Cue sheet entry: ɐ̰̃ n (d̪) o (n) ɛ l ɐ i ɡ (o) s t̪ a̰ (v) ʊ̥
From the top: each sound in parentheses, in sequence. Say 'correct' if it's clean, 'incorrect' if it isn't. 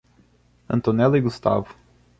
incorrect, correct, incorrect, correct

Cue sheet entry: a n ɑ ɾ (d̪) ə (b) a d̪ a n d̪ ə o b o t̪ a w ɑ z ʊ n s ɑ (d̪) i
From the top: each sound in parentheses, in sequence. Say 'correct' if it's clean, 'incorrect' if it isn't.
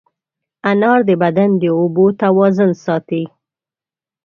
correct, correct, incorrect

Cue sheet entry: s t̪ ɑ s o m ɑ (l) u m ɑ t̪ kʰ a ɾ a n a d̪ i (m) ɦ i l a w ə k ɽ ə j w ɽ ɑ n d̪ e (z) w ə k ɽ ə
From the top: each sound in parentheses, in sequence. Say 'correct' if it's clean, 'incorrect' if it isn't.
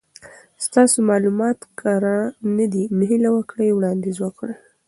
correct, correct, correct

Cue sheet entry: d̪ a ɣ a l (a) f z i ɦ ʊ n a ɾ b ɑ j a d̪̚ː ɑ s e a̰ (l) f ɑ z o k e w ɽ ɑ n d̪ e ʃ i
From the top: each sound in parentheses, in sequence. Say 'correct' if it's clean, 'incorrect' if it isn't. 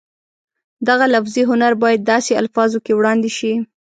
correct, correct

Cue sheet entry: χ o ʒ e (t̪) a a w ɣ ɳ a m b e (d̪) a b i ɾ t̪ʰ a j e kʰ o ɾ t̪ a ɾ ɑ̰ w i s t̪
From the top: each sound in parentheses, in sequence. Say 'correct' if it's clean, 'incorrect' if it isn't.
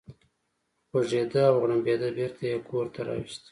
incorrect, correct

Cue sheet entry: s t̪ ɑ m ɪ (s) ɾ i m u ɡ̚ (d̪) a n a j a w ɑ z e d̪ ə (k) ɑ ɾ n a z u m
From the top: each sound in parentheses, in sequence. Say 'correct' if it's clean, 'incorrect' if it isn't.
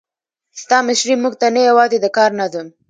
incorrect, incorrect, correct

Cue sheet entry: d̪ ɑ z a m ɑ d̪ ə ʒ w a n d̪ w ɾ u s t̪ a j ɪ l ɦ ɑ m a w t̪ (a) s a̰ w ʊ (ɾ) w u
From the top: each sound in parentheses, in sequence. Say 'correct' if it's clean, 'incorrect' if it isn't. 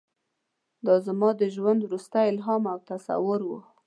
correct, correct

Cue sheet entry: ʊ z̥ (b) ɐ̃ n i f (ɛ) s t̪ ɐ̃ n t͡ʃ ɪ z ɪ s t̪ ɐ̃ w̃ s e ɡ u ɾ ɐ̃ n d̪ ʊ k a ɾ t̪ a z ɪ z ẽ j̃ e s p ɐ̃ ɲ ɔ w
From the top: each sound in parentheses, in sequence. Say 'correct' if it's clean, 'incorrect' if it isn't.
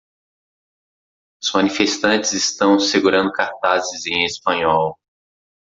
incorrect, incorrect

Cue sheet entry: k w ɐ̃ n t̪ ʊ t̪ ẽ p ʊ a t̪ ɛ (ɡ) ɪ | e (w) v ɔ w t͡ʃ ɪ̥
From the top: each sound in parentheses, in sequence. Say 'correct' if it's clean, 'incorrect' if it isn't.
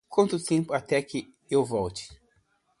incorrect, correct

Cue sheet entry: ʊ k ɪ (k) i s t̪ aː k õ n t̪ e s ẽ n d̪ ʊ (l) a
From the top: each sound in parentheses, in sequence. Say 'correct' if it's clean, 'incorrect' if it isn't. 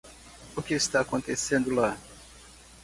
incorrect, correct

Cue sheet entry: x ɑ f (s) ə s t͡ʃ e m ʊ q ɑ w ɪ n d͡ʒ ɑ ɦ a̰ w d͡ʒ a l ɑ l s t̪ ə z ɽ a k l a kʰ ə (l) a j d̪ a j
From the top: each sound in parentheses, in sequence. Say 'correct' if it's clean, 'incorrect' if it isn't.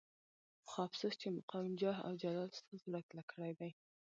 correct, incorrect

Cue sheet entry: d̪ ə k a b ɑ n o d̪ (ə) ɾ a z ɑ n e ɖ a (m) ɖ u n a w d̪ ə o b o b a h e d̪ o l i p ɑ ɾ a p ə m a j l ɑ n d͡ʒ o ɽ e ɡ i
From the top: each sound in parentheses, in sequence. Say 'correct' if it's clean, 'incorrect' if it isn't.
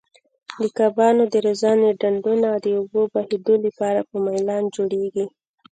correct, incorrect

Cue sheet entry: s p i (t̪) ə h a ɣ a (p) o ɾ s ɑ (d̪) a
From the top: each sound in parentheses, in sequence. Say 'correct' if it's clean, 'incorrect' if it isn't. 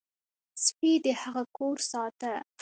incorrect, incorrect, incorrect

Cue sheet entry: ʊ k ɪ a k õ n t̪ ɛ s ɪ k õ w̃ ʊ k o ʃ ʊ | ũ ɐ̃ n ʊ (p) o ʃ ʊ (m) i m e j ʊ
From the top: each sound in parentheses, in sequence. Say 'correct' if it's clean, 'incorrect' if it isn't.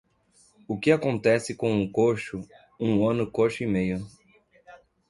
incorrect, incorrect

